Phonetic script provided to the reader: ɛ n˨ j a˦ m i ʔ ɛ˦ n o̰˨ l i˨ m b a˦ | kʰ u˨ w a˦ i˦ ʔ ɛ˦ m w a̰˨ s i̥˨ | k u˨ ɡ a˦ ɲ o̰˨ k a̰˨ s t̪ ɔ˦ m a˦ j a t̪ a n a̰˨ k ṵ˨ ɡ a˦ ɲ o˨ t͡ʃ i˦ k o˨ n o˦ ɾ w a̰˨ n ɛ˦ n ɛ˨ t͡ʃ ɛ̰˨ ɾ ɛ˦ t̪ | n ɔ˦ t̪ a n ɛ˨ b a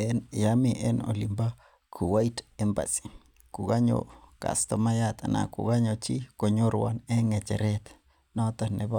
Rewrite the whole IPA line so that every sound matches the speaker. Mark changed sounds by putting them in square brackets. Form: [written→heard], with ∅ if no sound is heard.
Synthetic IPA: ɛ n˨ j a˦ m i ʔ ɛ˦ n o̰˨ l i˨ m b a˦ | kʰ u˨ w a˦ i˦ [ʔ→t] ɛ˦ m [w→b] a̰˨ s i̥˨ | k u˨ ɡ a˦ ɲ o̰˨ k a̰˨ s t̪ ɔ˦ m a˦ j a t̪ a n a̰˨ k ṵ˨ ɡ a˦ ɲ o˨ t͡ʃ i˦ k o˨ [n→ɲ] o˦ ɾ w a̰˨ n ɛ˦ [n→ŋ] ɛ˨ t͡ʃ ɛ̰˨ ɾ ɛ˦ t̪ | n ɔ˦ t̪ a n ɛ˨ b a